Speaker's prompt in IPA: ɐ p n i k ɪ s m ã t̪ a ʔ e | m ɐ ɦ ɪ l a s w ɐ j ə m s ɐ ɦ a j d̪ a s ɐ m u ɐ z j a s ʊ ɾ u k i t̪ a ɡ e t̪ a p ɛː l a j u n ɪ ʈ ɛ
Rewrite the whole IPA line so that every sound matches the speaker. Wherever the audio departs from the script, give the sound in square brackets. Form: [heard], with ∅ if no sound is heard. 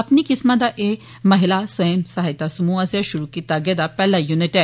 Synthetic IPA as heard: ɐ p n i k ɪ s m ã [d̪] a ʔ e | m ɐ ɦ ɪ l a s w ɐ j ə m s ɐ ɦ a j [t̪] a s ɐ m u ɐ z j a [ʃ] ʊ ɾ u k i t̪ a ɡ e [d̪] a p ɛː l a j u n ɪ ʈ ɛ

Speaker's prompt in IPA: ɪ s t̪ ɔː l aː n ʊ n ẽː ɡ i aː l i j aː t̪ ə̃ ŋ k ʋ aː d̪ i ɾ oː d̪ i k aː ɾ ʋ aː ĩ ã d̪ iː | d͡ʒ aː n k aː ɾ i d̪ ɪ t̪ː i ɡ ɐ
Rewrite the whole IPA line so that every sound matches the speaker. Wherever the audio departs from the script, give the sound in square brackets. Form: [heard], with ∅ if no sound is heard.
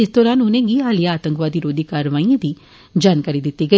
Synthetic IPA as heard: ɪ s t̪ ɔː [ɾ] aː n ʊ n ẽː ɡ i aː l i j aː t̪ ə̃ ŋ k ʋ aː d̪ i ɾ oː d̪ i k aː ɾ ʋ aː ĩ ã d̪ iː | d͡ʒ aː n k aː ɾ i d̪ ɪ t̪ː i ɡ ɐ

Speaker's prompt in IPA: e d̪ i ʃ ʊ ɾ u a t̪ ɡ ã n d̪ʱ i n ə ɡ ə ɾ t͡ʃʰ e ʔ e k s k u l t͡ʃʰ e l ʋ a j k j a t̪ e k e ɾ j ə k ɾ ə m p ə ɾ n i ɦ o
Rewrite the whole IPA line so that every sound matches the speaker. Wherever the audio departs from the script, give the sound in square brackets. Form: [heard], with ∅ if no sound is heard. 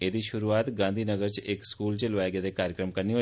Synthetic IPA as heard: e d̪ i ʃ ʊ ɾ u a t̪ ɡ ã n d̪ʱ i n ə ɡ ə ɾ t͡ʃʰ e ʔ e k s k u l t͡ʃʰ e l ʋ a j [ɡ] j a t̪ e k [a] ɾ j ə k ɾ ə m [k] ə ɾ n i ɦ o

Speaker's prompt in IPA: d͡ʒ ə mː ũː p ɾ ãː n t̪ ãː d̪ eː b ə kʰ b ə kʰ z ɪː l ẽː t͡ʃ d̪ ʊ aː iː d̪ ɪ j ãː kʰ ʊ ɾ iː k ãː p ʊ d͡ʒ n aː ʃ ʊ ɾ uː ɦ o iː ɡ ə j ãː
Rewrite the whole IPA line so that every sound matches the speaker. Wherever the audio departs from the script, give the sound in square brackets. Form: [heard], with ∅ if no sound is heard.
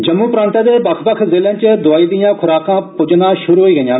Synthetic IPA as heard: d͡ʒ ə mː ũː p ɾ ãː n t̪ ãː d̪ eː b ə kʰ b ə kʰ z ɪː l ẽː t͡ʃ d̪ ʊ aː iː d̪ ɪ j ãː kʰ ʊ ɾ [aː] k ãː p ʊ d͡ʒ n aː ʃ ʊ ɾ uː ɦ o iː ɡ ə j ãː

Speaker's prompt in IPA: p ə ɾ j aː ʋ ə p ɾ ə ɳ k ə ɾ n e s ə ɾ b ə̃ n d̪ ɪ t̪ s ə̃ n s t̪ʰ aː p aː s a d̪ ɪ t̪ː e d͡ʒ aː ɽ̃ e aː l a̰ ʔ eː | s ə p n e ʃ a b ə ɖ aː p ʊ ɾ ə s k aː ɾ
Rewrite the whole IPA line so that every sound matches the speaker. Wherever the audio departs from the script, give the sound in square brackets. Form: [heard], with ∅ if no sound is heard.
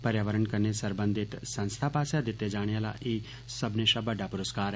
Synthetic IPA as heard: p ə ɾ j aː ʋ ə [∅] ɾ ə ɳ k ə ɾ n e s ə ɾ b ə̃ n d̪ ɪ t̪ s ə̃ n s t̪ʰ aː p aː s a d̪ ɪ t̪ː e d͡ʒ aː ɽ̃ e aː l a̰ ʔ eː | s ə [b] n e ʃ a b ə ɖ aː p ʊ ɾ ə s k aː ɾ

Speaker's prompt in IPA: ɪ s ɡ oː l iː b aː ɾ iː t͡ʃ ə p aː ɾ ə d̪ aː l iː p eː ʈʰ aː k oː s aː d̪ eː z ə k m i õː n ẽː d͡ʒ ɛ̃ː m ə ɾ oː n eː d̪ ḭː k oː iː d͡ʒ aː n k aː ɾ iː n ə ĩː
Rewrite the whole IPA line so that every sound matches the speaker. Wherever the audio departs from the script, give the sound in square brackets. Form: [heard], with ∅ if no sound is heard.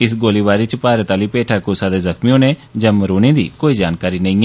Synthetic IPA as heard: ɪ s ɡ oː l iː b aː ɾ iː t͡ʃ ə p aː ɾ ə [t̪] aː l iː p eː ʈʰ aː k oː s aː d̪ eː z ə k m i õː n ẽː d͡ʒ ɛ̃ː m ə ɾ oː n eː d̪ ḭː k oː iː d͡ʒ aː n k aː ɾ iː n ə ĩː

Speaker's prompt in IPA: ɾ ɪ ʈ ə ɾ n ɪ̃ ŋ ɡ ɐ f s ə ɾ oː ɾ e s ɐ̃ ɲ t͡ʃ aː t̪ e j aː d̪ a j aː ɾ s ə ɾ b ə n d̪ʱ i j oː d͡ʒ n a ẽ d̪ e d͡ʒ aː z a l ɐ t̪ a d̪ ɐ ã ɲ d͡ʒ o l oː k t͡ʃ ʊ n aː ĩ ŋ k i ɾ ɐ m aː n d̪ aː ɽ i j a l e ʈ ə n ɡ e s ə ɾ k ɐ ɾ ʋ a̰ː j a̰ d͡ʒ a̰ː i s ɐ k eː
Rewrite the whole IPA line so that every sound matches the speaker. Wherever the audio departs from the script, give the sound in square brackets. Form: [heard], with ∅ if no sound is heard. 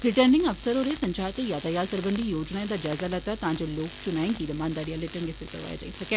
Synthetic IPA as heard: ɾ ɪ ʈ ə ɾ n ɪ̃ ŋ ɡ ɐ f s ə ɾ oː ɾ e s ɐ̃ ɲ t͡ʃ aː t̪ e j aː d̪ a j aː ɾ s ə ɾ b ə n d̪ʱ i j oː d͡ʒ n a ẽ d̪ [a] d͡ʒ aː z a l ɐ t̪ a [t̪] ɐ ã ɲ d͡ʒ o l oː k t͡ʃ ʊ n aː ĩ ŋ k i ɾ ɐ m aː n d̪ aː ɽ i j a l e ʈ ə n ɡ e s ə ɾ k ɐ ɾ ʋ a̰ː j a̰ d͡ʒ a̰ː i s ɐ k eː

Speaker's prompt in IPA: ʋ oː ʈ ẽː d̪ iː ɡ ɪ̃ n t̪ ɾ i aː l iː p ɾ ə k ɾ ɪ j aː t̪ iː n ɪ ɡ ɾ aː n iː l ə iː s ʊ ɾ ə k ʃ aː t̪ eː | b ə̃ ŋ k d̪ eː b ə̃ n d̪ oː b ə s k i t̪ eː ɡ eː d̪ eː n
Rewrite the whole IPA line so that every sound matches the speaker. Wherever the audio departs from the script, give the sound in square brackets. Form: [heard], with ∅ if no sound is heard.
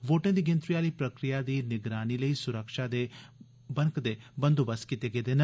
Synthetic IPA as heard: ʋ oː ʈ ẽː d̪ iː ɡ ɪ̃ n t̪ ɾ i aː l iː p ɾ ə k ɾ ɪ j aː [d̪] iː n ɪ ɡ ɾ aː n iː l ə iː s ʊ ɾ ə k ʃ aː [d̪] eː | b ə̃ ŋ k d̪ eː b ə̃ n d̪ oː b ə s k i t̪ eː ɡ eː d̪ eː n

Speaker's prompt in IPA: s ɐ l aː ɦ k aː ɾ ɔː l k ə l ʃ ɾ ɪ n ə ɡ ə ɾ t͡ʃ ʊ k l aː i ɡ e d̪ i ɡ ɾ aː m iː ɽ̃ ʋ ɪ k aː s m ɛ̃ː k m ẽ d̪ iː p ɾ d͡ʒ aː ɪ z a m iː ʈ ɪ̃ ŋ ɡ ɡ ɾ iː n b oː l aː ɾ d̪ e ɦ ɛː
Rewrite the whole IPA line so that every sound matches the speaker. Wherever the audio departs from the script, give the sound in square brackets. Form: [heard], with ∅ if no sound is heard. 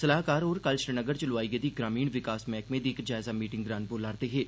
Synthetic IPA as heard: s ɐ l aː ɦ k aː ɾ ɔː [ɾ] k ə l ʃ ɾ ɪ n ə ɡ ə ɾ t͡ʃ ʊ [∅] l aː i ɡ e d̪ i ɡ ɾ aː m iː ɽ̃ ʋ ɪ k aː s m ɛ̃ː k m ẽ d̪ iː [k] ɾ d͡ʒ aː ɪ z a m iː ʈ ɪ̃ ŋ ɡ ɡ ɾ [aː] n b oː l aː ɾ [t̪] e ɦ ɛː

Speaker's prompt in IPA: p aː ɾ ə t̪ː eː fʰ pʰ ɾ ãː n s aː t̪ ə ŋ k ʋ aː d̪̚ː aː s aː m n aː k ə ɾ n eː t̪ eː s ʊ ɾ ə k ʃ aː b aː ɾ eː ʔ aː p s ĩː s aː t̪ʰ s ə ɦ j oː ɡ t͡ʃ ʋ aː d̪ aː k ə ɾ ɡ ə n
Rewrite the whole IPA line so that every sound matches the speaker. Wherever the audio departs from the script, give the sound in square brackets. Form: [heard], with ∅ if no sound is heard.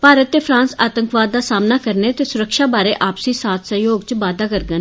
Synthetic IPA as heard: p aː ɾ ə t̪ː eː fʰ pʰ ɾ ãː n s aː t̪ ə ŋ k ʋ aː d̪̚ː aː s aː m n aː k ə ɾ n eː t̪ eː s ʊ ɾ ə k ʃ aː b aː ɾ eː ʔ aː p s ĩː s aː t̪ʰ s ə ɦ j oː ɡ t͡ʃ ʋ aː d̪ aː k ə ɾ ɡ ə n

